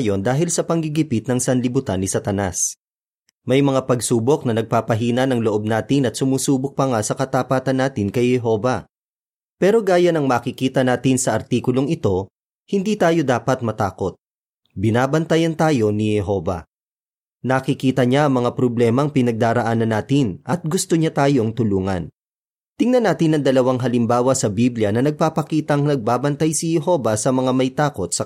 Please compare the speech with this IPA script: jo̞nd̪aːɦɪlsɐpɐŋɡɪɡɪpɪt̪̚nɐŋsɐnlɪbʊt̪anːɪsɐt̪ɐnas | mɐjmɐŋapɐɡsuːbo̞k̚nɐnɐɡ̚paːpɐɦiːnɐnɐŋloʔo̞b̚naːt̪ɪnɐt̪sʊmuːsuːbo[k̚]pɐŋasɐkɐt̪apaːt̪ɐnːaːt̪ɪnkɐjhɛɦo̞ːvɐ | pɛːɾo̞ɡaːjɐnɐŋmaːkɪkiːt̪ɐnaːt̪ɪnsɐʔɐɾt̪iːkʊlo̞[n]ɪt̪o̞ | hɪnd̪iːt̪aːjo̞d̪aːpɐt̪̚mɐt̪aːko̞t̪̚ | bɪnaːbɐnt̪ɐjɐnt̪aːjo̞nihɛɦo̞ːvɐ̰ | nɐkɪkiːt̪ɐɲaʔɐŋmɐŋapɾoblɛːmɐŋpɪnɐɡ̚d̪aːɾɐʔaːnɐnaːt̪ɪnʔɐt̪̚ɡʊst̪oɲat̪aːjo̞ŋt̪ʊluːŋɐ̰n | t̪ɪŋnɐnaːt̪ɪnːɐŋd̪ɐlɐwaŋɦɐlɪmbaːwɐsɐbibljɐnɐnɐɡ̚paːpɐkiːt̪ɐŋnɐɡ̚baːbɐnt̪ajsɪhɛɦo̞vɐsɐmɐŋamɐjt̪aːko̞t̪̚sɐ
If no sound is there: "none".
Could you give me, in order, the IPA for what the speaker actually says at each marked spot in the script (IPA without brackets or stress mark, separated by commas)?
k̚, ŋ